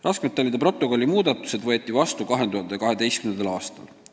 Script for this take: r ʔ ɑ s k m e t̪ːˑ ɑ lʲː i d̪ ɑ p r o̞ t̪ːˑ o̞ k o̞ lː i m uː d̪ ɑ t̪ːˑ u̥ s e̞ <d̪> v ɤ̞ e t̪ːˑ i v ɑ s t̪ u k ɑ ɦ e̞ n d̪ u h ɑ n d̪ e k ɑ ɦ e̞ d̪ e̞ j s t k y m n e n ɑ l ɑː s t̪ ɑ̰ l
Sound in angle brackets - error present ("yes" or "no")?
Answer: no